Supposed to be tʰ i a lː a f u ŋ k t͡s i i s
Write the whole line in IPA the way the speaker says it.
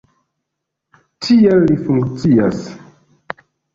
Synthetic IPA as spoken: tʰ i e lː i f u ŋ k t͡s i a s